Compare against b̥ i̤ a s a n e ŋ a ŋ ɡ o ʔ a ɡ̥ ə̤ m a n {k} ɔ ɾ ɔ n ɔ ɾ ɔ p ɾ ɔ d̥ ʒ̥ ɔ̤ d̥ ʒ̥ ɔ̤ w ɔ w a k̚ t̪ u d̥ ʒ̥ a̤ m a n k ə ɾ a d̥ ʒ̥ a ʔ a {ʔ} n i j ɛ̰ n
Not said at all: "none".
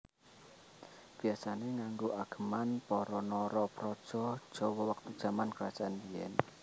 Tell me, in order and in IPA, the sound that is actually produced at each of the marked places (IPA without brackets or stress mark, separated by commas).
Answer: p, none